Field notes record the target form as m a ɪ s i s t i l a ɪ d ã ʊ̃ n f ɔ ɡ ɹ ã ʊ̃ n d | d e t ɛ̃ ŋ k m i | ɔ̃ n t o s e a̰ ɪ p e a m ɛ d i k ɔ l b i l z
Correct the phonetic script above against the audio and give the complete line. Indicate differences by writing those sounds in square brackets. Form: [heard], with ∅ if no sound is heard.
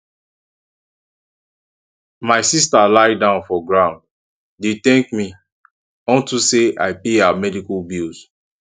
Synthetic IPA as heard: m a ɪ s i s t [a] l a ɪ d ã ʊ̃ n f ɔ ɡ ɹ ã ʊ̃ n d | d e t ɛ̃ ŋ k m i | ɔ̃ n t [u] s e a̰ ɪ p e a m ɛ d i k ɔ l b i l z